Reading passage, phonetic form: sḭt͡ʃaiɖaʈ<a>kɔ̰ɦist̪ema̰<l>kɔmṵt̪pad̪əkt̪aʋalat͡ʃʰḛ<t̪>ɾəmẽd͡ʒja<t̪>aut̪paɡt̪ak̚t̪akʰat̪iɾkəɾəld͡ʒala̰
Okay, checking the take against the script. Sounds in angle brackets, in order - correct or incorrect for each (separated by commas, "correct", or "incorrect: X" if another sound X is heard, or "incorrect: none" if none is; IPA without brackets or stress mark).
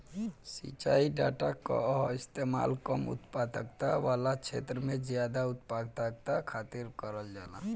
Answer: correct, correct, correct, incorrect: d̪